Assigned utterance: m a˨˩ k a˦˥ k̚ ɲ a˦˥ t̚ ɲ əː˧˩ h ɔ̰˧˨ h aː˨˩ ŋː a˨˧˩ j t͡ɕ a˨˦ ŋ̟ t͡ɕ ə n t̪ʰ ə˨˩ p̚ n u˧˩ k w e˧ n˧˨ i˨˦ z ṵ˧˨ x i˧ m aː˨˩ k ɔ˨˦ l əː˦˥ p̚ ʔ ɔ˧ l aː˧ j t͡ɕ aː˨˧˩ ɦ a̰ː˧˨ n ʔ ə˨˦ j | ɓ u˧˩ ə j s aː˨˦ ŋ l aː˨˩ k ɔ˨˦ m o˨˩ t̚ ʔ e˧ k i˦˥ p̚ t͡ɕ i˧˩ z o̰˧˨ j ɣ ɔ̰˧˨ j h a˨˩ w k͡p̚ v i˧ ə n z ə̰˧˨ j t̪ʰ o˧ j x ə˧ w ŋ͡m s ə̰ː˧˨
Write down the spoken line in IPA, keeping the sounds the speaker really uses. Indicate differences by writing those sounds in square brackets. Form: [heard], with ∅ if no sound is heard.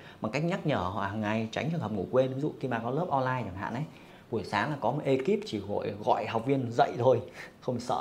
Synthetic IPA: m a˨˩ k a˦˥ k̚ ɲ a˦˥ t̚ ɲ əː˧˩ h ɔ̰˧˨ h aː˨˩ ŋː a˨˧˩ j t͡ɕ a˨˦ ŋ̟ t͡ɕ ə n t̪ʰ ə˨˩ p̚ [ŋ] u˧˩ k w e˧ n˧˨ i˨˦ z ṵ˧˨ x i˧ m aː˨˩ k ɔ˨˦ l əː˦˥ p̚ ʔ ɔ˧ l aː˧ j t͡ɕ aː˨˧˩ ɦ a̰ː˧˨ n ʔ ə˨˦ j | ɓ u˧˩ ə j s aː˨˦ ŋ l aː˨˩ k ɔ˨˦ m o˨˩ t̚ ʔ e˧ k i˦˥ p̚ t͡ɕ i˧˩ [ɣ] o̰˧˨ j ɣ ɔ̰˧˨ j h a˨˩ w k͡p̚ v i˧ ə n z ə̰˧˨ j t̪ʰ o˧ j x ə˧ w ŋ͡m s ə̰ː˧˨